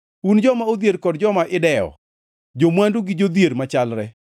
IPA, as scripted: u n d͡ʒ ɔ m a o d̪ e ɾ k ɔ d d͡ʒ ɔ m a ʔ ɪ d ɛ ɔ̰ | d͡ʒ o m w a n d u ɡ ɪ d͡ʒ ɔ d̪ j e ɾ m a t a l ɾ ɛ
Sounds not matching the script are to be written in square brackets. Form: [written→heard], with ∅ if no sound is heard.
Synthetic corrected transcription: u n d͡ʒ ɔ m a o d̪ e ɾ k ɔ d d͡ʒ ɔ m a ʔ ɪ d ɛ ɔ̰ | d͡ʒ o m w a n d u ɡ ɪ d͡ʒ [ɔ→o] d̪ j e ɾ m a [t→t͡ʃ] a l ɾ ɛ